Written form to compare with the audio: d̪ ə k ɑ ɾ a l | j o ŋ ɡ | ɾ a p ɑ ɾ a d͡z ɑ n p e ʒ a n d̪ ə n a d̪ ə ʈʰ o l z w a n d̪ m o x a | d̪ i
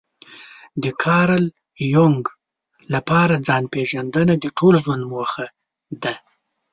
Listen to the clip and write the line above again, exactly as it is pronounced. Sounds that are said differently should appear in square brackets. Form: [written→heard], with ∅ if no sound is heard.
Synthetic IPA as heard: d̪ ə [k→kʰ] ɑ ɾ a l | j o ŋ ɡ | [ɾ→l] a p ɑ ɾ a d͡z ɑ n p e ʒ a n d̪ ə n a d̪ ə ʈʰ o l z w a n d̪ m o x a | d̪ [i→a]